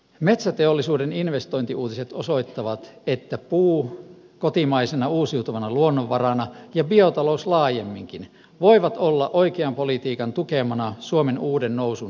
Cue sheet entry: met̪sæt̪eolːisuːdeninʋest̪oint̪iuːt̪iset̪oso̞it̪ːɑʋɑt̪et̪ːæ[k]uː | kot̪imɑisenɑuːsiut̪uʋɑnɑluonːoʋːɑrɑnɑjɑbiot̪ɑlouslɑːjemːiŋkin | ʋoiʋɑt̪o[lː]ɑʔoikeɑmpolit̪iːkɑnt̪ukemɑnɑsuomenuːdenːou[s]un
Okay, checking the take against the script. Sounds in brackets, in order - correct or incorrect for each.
incorrect, correct, correct

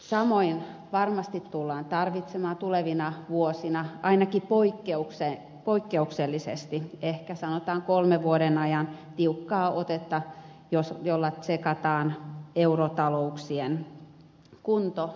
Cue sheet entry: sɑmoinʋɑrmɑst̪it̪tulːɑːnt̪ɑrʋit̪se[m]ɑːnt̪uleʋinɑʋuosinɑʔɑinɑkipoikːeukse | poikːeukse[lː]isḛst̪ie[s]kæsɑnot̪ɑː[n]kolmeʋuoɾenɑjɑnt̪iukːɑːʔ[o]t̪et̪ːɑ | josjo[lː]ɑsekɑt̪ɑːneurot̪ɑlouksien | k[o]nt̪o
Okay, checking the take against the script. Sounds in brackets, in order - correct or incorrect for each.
correct, correct, incorrect, incorrect, correct, correct, incorrect

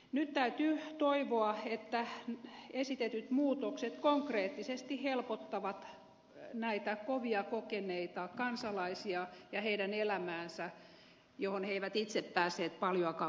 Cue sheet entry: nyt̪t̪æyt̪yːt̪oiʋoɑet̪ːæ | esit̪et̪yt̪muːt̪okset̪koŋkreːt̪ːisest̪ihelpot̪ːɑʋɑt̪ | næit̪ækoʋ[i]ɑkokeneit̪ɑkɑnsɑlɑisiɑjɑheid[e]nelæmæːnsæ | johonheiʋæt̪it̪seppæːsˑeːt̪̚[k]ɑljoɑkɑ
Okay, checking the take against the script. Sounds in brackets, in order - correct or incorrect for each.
correct, incorrect, incorrect

